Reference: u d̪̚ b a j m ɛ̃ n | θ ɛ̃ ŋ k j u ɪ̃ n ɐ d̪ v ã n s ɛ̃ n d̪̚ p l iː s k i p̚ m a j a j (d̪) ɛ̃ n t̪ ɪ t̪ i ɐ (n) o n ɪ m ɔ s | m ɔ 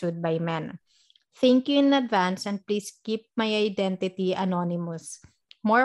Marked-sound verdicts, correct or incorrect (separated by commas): correct, correct